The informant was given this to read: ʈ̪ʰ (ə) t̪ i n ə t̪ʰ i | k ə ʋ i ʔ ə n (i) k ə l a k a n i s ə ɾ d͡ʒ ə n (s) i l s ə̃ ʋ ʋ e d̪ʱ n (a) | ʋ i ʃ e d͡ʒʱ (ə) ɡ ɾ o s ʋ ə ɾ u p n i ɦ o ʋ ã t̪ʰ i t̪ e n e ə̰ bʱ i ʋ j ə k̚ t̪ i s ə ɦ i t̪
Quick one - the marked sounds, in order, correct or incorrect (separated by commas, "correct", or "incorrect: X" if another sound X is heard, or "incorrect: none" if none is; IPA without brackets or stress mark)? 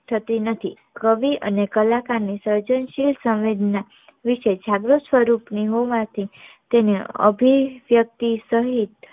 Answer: correct, incorrect: e, incorrect: ʃ, correct, incorrect: a